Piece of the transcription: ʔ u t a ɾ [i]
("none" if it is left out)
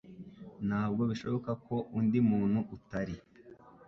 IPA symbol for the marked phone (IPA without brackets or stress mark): i